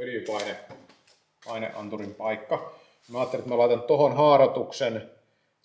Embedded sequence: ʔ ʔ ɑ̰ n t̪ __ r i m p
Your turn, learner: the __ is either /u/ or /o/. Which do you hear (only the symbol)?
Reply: u